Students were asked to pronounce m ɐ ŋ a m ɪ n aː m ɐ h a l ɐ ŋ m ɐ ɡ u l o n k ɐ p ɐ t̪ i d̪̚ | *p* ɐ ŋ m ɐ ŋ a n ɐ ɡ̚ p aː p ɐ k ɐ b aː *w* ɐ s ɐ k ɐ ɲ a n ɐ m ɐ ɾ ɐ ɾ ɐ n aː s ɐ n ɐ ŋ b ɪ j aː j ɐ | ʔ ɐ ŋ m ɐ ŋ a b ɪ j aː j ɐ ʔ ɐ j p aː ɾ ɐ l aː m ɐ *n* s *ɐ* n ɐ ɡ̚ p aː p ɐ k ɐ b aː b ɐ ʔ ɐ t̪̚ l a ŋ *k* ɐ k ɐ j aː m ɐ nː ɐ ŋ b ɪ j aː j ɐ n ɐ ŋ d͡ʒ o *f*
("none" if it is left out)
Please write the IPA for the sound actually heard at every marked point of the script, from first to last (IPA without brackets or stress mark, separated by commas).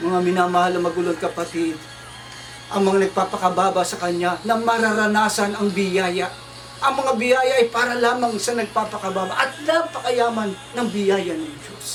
ʔ, b, ŋ, ɐ, p, s